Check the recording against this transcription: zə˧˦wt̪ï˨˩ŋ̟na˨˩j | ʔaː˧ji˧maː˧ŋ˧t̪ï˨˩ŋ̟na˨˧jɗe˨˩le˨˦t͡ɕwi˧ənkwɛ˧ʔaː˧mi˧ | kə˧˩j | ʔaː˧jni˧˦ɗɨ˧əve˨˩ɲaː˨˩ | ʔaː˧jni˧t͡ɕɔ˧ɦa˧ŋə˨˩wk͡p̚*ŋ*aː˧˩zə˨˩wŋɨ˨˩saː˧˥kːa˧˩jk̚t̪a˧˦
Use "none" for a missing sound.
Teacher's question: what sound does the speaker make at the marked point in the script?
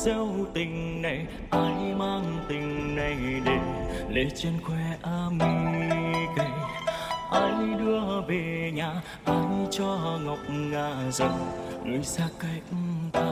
ŋ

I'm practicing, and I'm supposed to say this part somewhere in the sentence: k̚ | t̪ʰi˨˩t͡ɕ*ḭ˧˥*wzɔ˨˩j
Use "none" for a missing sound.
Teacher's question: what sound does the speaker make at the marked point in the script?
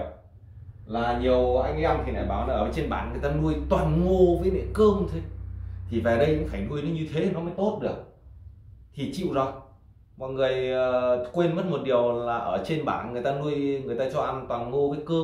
ḭ˧˨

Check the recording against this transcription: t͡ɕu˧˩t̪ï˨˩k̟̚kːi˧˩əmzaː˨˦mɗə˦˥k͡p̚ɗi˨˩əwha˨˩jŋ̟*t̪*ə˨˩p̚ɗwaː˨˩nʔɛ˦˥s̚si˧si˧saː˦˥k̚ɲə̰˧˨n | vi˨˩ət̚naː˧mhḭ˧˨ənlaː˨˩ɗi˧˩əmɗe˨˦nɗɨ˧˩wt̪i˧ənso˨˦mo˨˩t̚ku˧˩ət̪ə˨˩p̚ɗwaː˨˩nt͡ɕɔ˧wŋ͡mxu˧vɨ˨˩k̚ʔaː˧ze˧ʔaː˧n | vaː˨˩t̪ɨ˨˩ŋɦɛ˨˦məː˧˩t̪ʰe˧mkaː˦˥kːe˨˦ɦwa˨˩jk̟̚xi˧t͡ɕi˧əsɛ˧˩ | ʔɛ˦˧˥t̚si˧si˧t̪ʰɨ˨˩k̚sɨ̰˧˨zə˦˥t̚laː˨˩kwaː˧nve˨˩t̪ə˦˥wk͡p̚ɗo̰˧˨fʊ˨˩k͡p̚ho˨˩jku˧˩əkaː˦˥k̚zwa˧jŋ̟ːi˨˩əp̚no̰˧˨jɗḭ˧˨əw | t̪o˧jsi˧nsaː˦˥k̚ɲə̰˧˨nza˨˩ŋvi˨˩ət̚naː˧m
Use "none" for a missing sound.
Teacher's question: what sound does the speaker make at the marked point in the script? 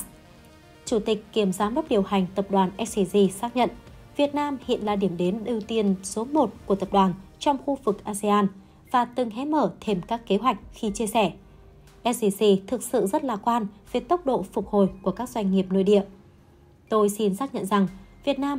t̪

